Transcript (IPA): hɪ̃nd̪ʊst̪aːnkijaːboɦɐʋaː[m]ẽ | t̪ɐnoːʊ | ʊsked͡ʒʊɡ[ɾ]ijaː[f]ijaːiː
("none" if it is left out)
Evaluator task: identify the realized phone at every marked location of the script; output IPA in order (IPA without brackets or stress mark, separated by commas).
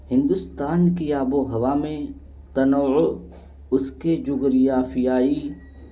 m, ɾ, f